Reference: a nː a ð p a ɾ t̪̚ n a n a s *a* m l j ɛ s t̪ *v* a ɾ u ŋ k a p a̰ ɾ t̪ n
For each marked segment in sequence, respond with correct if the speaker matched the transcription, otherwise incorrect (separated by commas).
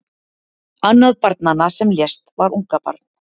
incorrect, correct